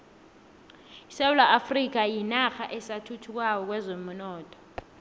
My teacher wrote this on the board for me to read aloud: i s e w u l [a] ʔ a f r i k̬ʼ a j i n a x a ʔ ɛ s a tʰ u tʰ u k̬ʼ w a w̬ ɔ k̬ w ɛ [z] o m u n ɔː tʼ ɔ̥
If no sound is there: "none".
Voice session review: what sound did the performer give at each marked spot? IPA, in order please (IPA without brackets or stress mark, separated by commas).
a, z